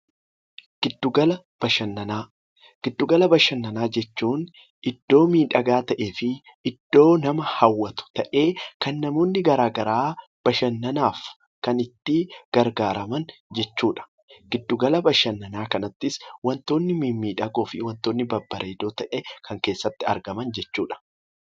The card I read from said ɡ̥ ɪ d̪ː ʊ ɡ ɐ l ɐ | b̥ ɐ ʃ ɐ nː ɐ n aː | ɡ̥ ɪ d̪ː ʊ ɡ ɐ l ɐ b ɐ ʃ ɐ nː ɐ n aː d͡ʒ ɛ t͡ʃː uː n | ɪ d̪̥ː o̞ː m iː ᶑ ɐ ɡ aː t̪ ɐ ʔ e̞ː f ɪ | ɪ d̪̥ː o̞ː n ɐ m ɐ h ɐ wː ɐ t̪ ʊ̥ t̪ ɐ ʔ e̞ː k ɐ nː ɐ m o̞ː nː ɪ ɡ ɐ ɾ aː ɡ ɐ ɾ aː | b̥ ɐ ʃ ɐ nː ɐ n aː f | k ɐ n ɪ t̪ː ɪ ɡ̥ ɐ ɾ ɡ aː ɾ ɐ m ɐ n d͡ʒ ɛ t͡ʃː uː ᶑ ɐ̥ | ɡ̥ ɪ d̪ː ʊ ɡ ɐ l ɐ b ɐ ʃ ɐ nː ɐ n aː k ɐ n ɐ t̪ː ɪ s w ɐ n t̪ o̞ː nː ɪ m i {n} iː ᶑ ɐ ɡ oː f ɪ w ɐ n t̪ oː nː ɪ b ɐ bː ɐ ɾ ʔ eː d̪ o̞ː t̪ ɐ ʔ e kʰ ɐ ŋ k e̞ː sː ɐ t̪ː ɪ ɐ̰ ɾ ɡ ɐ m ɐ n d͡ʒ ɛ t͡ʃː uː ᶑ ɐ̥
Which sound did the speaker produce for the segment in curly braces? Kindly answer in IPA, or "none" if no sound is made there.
m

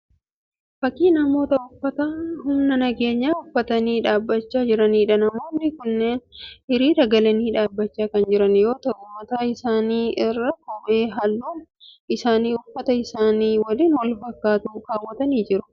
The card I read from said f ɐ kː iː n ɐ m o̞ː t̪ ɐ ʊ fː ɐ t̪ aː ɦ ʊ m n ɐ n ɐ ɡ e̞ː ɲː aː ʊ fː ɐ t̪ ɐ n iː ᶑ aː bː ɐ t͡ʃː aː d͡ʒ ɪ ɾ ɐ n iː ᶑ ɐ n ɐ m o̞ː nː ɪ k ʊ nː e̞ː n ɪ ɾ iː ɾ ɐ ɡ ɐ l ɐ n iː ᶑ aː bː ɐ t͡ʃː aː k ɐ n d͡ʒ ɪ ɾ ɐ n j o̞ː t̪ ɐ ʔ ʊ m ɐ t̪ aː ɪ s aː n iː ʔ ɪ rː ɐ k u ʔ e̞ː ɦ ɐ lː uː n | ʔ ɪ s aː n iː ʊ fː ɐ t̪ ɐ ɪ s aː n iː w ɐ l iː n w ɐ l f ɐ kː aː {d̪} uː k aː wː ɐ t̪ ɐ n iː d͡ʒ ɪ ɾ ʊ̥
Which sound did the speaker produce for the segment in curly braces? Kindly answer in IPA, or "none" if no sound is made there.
t̪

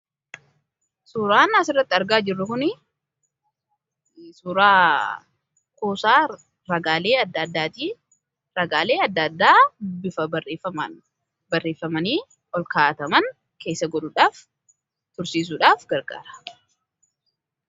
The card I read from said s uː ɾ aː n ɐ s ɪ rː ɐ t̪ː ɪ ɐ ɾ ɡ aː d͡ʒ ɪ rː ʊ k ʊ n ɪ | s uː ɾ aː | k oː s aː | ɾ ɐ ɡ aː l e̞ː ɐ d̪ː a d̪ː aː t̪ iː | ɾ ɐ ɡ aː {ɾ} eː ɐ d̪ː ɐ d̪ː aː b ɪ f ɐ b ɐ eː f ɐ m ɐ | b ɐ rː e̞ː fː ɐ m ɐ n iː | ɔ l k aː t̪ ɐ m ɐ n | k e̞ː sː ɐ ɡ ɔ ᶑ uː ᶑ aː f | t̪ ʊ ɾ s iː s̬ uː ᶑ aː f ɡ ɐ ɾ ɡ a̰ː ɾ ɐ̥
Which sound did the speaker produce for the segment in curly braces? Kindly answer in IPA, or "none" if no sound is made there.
l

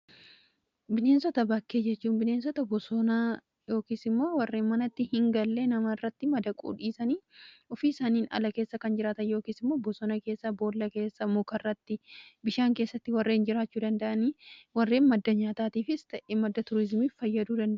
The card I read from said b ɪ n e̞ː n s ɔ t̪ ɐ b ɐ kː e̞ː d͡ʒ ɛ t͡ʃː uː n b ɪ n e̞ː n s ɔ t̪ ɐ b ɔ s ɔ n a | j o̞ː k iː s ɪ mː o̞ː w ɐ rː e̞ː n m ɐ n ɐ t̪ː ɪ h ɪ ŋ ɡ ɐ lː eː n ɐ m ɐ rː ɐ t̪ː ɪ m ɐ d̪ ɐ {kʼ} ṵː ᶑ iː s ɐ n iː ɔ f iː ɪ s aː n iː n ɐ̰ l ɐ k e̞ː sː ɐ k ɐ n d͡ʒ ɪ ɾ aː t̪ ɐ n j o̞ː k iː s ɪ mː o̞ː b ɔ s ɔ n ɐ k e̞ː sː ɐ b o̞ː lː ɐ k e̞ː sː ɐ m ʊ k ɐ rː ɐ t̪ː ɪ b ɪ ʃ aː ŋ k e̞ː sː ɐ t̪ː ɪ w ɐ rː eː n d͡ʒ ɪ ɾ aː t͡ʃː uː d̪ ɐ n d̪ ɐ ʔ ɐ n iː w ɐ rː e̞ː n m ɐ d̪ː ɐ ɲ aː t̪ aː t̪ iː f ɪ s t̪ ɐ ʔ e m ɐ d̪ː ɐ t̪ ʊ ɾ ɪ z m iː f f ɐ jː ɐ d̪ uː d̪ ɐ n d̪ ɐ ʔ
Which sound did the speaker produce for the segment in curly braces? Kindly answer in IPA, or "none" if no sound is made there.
kʼ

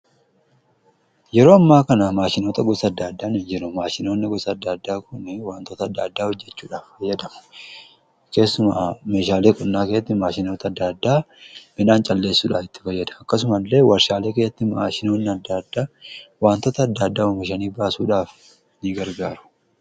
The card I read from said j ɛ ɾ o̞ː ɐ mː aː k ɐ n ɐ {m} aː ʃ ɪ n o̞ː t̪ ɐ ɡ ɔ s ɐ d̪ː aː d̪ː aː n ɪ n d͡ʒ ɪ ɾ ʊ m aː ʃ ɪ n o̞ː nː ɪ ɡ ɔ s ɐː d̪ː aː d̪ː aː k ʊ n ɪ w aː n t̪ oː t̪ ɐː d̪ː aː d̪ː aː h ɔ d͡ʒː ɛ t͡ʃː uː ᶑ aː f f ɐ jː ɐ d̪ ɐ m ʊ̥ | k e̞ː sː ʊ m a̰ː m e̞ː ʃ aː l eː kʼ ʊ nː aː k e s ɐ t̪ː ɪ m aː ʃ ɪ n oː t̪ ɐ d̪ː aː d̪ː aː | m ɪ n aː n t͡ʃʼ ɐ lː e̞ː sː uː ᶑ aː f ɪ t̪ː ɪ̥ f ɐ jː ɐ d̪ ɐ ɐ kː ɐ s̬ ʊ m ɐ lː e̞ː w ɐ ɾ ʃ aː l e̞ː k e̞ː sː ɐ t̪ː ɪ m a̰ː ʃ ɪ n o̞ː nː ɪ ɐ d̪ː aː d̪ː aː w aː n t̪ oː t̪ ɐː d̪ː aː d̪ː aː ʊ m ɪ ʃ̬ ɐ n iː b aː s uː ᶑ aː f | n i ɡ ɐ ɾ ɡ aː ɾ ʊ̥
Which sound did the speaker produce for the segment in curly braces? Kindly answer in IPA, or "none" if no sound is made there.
m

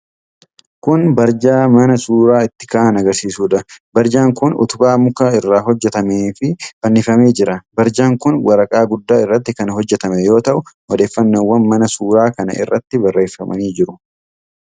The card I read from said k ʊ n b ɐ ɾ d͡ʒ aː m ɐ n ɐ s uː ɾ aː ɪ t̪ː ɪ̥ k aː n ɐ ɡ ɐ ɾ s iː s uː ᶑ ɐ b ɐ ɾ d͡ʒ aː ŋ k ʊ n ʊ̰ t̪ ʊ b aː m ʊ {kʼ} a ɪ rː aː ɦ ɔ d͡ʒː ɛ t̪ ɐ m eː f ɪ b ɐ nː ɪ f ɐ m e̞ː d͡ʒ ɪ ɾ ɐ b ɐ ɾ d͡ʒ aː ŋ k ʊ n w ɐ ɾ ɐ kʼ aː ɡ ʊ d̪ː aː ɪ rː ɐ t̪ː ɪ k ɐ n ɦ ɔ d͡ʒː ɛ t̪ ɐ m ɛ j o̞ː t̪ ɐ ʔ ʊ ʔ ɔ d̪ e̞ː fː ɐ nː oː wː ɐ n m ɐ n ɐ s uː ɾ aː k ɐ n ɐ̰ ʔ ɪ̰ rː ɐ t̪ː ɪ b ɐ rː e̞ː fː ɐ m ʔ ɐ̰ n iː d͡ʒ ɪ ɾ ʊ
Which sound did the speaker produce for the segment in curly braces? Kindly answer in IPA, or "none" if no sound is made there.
k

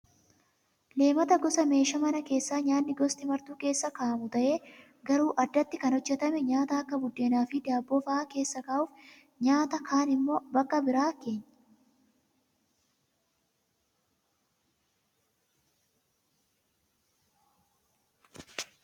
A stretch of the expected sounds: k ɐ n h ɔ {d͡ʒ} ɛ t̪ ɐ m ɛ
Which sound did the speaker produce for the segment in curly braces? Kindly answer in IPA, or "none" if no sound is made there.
d͡ʒː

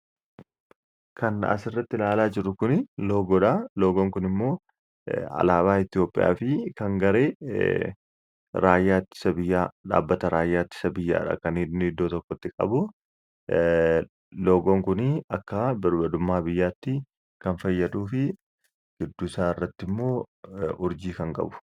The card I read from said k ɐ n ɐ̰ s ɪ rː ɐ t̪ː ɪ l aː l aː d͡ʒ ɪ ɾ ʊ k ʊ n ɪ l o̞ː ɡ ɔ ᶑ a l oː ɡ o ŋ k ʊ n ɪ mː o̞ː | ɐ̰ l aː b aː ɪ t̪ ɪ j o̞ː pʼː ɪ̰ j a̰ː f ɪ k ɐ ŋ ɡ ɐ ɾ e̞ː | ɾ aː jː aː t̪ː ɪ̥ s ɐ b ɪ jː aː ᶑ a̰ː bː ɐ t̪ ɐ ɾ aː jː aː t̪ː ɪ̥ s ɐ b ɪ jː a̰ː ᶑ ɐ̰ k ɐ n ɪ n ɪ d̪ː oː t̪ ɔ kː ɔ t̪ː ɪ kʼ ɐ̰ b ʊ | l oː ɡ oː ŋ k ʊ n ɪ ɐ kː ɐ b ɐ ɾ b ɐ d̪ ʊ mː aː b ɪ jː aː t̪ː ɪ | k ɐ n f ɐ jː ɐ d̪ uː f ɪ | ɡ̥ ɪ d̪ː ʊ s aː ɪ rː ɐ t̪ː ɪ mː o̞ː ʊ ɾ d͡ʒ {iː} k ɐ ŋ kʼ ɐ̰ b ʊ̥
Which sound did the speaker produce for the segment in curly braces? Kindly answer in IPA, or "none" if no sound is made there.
iː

